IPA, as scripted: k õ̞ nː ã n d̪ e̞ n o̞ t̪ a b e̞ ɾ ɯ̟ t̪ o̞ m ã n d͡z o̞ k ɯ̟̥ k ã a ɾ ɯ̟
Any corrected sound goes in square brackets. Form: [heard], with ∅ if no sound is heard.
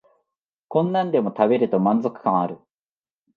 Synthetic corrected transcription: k õ̞ nː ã n d̪ e̞ [m] o̞ t̪ a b e̞ ɾ ɯ̟ t̪ o̞ m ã n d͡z o̞ k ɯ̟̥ k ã a ɾ ɯ̟